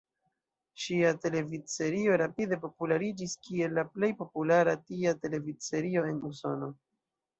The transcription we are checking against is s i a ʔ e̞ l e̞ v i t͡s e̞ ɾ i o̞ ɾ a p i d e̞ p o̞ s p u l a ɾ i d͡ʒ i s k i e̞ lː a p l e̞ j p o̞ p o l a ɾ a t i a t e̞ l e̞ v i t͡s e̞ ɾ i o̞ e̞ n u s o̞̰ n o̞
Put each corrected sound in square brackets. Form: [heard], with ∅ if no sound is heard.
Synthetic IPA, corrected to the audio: [ʃ] i a [t] e̞ l e̞ v i t͡s e̞ ɾ i o̞ ɾ a p i d e̞ p o̞ [∅] p u l a ɾ i d͡ʒ i s k i e̞ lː a p l e̞ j p o̞ p [u] l a ɾ a t i a t e̞ l e̞ v i t͡s e̞ ɾ i o̞ e̞ n u s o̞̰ n o̞

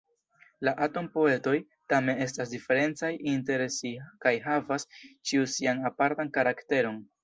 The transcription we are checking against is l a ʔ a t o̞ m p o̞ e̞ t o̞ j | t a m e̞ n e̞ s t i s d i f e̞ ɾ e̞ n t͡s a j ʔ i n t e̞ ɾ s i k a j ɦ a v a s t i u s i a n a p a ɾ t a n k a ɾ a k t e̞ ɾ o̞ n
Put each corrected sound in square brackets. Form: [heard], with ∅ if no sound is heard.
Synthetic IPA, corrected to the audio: l a ʔ a t o̞ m p o̞ e̞ t o̞ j | t a m e̞ n e̞ s t [a] s d i f e̞ ɾ e̞ n t͡s a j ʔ i n t e̞ ɾ s i k a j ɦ a v a s [t͡ʃ] i u s i a n a p a ɾ t a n k a ɾ a k t e̞ ɾ o̞ n

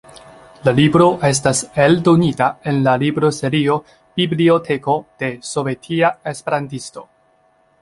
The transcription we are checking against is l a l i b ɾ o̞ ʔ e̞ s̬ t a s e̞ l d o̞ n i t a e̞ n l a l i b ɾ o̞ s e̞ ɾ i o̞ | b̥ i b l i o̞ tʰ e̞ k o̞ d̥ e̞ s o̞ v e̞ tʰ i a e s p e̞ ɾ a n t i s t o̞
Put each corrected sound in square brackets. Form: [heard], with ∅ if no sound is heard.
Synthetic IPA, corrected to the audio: l a l i b ɾ o̞ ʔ e̞ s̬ t a s e̞ l d o̞ n i t a e̞ n l a l i b ɾ o̞ s e̞ ɾ i o̞ | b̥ i b l i o̞ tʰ e̞ k o̞ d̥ e̞ s o̞ v e̞ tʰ i a e s p e̞ ɾ a n t i s t o̞

